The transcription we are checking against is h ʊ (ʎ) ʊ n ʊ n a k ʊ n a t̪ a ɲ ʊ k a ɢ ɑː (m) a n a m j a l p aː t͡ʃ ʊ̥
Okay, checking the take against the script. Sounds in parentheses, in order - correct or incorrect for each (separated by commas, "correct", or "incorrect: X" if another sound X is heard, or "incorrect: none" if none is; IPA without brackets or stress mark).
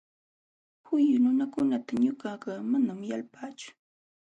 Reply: incorrect: j, correct